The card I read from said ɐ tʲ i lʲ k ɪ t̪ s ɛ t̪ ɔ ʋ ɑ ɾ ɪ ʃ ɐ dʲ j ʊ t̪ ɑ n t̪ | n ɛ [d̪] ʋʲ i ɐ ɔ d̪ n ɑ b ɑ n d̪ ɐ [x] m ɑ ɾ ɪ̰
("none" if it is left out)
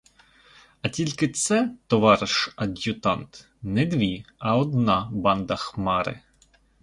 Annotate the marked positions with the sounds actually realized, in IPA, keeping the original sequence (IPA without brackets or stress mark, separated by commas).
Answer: d̪, x